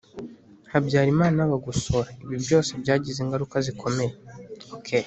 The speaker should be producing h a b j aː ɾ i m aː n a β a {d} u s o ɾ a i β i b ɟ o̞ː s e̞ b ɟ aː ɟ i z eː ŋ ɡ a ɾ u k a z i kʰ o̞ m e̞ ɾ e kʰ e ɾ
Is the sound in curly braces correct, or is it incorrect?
incorrect: ɡ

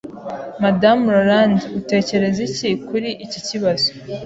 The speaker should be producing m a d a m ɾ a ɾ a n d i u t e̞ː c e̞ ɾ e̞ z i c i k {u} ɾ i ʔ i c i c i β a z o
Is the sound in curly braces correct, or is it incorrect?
correct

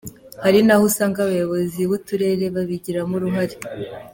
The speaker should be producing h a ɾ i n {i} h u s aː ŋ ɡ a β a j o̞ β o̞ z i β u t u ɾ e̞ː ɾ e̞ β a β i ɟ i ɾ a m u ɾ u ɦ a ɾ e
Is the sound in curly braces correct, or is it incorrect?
incorrect: a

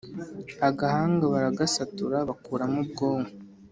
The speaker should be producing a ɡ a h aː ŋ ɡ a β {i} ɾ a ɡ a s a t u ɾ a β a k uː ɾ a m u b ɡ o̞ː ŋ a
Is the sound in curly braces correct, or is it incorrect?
incorrect: a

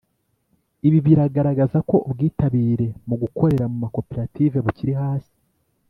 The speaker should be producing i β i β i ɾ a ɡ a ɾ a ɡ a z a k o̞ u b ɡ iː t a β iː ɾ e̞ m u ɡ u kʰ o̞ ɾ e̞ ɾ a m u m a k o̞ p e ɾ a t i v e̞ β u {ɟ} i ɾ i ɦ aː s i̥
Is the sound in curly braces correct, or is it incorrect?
incorrect: c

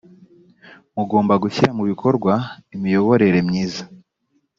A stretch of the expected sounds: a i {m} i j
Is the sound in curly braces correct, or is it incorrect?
correct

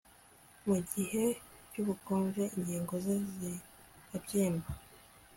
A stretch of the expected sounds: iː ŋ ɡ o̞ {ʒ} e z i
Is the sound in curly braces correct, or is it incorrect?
incorrect: z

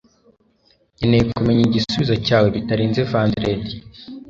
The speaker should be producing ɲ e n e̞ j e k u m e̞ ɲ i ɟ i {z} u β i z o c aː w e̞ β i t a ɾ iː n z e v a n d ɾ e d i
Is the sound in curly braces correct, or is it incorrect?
incorrect: s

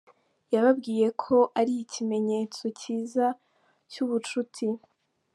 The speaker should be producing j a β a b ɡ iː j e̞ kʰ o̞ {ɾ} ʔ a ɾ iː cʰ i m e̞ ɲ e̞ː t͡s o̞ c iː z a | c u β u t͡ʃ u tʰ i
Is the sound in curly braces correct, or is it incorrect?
incorrect: none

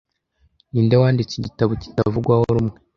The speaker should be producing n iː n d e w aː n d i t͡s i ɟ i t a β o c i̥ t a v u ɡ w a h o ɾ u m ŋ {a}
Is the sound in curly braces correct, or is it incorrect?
incorrect: e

